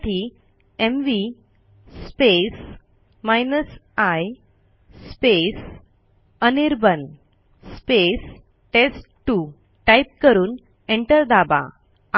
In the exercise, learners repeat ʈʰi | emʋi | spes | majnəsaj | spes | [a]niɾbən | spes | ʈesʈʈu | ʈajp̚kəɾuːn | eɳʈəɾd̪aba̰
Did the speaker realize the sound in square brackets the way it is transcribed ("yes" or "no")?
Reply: no